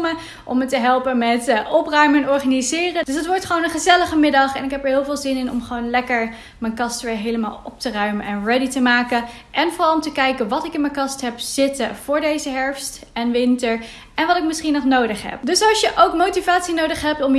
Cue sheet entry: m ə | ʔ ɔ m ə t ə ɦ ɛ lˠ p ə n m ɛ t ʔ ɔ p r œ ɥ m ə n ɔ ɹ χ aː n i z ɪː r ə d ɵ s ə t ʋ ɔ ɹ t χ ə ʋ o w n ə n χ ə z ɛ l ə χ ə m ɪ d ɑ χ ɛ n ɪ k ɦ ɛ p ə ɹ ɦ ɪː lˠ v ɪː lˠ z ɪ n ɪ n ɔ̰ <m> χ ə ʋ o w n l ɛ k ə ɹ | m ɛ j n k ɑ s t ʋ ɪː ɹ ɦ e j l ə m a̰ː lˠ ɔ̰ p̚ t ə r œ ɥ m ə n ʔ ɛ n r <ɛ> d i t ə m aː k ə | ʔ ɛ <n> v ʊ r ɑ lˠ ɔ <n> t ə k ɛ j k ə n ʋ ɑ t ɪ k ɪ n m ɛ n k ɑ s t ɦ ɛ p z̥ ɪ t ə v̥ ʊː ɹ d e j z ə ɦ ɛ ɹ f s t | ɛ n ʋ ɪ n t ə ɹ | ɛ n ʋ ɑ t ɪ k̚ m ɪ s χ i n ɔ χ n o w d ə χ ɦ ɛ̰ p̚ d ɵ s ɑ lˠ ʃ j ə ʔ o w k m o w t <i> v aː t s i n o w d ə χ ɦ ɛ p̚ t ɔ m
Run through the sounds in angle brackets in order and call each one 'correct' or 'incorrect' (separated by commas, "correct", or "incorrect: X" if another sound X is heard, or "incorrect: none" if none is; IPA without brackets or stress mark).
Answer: correct, correct, correct, incorrect: m, correct